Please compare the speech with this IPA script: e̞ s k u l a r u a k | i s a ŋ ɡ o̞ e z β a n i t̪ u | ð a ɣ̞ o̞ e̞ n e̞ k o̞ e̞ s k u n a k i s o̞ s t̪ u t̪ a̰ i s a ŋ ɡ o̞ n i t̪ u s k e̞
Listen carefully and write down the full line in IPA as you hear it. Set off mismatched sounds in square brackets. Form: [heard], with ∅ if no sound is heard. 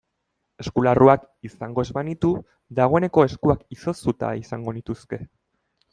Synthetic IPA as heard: e̞ s k u l a r u a k | i s a ŋ ɡ o̞ e z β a n i t̪ u | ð a ɣ̞ o̞ e̞ n e̞ k o̞ e̞ s k u [∅] a k i s o̞ s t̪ u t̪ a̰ i s a ŋ ɡ o̞ n i t̪ u s k e̞